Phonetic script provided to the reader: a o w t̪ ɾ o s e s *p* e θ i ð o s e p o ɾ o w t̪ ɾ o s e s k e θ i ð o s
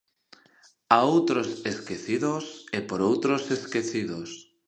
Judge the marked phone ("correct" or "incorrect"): incorrect